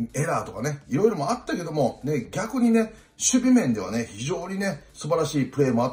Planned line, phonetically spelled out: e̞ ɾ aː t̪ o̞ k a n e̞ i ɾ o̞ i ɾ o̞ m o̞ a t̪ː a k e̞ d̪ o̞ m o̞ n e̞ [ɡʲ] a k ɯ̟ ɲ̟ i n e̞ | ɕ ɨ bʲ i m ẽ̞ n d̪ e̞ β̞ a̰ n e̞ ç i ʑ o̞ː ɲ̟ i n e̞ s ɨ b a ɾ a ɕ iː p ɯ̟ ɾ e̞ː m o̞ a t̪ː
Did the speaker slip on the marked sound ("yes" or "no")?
no